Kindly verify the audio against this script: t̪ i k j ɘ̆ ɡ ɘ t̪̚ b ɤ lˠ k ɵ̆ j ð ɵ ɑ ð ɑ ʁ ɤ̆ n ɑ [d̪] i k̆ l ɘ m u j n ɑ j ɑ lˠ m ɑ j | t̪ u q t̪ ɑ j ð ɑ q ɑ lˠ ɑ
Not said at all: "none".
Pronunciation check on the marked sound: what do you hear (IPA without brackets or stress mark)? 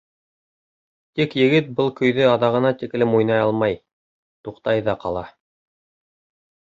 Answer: t̪